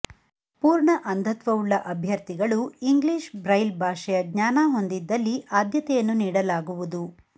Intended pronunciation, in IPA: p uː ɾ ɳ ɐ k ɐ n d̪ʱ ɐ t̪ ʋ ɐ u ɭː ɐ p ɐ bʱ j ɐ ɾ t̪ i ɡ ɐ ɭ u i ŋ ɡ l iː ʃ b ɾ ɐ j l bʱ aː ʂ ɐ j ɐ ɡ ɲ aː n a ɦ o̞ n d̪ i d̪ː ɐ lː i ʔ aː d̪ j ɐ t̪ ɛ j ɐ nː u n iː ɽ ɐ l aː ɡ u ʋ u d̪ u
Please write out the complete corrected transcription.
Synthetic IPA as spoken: p uː ɾ ɳ ɐ ʔ ɐ n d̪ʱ ɐ t̪ ʋ ɐ u ɭː ɐ ʔ ɐ bʱ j ɐ ɾ t̪ i ɡ ɐ ɭ u i ŋ ɡ l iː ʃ b ɾ ɐ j l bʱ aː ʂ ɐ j ɐ ɡ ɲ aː n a ɦ o̞ n d̪ i d̪ː ɐ lː i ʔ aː d̪ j ɐ t̪ ɛ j ɐ nː u n iː ɽ ɐ l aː ɡ u ʋ u d̪ u